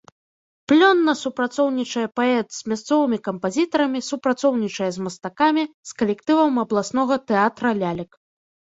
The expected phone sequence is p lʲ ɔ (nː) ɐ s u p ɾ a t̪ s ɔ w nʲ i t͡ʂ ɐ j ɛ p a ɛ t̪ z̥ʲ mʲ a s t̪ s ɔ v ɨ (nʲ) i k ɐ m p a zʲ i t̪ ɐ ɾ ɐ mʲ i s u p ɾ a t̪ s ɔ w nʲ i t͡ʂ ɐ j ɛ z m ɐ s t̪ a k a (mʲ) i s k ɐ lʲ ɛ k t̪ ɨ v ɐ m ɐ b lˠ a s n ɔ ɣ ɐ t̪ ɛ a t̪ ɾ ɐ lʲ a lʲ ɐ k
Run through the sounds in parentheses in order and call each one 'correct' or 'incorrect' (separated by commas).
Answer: correct, incorrect, correct